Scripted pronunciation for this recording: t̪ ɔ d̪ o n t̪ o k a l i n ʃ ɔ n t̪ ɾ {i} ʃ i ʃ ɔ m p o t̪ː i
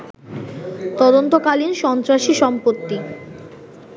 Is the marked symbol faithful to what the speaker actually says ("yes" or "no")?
no